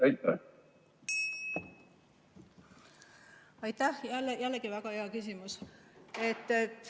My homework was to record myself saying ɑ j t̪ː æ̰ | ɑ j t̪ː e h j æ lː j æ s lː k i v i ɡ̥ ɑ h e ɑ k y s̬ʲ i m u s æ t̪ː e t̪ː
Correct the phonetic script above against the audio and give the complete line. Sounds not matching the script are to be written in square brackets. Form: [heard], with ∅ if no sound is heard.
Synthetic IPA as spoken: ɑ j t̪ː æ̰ | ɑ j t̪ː [æ] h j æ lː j æ [∅] lː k i v [æ] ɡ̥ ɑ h e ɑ k y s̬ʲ i m u s [e] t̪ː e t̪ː

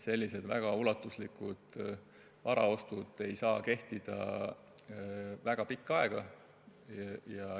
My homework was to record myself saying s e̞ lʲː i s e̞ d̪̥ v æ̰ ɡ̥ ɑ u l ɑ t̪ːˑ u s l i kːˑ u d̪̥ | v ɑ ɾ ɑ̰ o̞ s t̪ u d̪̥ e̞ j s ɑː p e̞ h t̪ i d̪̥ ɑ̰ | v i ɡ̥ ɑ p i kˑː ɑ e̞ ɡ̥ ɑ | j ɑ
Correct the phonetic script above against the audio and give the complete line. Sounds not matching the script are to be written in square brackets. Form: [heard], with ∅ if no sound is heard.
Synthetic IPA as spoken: s e̞ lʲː i s e̞ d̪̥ v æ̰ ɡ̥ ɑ u l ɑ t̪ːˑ u s l i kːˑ u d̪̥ | v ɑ ɾ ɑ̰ o̞ s t̪ u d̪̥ e̞ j s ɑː [k] e̞ h t̪ i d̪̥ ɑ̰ | v [æ] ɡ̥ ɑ p i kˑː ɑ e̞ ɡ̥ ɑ | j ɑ

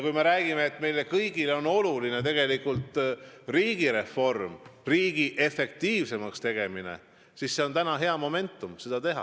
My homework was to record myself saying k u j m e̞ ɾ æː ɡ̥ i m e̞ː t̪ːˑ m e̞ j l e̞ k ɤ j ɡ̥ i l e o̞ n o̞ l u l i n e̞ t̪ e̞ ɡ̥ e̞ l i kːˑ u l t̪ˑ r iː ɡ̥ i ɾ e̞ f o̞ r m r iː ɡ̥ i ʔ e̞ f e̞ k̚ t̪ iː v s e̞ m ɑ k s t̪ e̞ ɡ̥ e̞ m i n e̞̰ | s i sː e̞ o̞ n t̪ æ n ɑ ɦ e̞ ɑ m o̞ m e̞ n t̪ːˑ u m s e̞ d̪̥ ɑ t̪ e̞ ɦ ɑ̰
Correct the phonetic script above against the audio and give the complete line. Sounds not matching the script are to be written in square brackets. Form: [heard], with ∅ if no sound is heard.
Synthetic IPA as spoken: k u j m e̞ ɾ æː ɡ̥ i m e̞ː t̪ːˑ m e̞ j l e̞ k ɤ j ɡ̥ i l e o̞ n o̞ l u l i n e̞ t̪ e̞ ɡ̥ e̞ l i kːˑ u l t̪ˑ r iː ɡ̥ i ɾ e̞ f o̞ r m r iː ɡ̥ i ʔ e̞ f e̞ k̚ t̪ iː v s e̞ m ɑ k s t̪ e̞ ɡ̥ e̞ m i n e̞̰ | s i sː e̞ o̞ n t̪ æ n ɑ ɦ e̞ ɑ m o̞ m e̞ n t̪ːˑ u m s e̞ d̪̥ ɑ t̪ e̞ ɦ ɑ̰

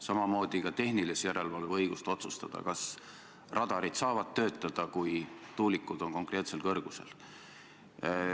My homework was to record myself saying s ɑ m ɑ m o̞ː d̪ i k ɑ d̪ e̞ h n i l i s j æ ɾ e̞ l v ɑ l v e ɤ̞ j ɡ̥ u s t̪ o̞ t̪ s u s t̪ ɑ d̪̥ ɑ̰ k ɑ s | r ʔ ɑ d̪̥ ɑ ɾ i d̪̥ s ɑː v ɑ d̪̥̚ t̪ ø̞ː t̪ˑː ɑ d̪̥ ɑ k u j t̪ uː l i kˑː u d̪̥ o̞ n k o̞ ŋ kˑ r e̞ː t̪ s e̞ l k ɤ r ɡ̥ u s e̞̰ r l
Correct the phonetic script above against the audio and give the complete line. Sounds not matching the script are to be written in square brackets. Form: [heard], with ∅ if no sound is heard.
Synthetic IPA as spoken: s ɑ m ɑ m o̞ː d̪ i k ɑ [t̪] e̞ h n i l i s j æ ɾ e̞ l v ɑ l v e ɤ̞ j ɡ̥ u s t̪ o̞ t̪ s u s t̪ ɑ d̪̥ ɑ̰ k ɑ s | r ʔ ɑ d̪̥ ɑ ɾ i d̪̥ s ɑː v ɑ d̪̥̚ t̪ ø̞ː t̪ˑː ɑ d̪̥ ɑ k u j t̪ uː l i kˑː u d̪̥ o̞ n k o̞ ŋ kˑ r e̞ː t̪ s e̞ l k ɤ r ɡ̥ u s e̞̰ [∅] l

